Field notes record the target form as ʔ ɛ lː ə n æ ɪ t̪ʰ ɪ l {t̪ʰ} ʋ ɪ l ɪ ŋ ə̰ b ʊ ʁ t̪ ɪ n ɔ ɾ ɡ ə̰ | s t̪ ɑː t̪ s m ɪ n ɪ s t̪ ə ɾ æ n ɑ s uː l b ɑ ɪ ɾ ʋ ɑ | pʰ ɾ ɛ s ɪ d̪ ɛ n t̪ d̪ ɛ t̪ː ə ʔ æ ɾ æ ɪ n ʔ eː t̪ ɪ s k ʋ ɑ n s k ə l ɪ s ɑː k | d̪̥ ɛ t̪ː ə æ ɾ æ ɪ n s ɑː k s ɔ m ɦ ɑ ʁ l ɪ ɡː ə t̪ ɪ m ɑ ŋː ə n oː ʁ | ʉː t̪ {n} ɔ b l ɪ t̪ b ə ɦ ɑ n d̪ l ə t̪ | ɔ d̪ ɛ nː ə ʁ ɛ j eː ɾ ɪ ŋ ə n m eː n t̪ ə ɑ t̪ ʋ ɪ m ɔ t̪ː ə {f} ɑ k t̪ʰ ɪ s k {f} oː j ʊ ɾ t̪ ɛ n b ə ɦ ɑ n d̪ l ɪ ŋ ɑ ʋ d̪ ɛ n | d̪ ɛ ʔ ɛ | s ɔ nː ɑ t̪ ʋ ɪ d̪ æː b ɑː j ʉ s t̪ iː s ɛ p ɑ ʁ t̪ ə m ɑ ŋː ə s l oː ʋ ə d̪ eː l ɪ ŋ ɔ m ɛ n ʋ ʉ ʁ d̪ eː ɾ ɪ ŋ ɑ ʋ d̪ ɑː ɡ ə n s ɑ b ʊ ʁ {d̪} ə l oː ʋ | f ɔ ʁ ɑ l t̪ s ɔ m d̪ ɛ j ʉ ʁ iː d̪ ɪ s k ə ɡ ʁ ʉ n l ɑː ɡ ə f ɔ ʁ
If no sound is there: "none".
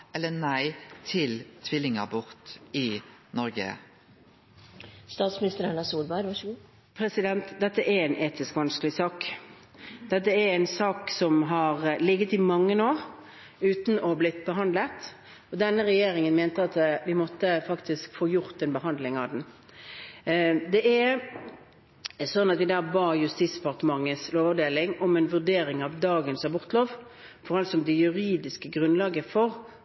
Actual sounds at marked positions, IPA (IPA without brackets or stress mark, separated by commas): t̪ʰ, n, f, f, t̪